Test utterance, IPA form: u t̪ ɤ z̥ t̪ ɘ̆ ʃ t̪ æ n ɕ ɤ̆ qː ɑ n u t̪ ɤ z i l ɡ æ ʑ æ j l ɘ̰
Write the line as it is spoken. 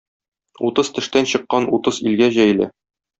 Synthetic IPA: u t̪ ɤ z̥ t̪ ɘ̆ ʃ t̪ æ n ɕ ɤ̆ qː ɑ n u t̪ ɤ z i l ɡ æ ʑ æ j l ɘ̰